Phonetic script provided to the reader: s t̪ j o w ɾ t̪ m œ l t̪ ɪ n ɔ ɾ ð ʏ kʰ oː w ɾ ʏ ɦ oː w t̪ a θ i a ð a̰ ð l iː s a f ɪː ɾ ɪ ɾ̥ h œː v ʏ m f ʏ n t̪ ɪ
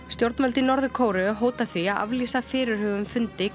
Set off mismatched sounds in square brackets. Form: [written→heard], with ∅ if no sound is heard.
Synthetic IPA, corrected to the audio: s t̪ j o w ɾ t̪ m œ l t̪ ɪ n ɔ ɾ ð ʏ kʰ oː w ɾ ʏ ɦ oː w t̪ a θ i a ð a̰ [ð→v] l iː s a f ɪː ɾ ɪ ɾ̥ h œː v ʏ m f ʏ n t̪ ɪ